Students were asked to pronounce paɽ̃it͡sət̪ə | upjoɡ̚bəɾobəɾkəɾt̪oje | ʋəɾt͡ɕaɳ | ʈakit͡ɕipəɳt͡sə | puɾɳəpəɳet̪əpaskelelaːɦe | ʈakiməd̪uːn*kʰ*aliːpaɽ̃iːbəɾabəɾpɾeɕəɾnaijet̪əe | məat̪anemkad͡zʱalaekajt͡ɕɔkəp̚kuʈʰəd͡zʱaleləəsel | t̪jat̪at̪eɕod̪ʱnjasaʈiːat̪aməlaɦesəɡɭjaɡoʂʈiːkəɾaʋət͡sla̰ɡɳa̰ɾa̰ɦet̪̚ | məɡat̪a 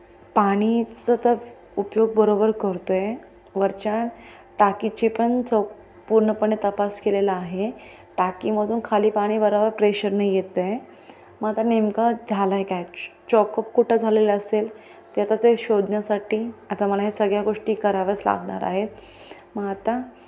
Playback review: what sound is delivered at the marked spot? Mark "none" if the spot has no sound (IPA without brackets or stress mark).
kʰ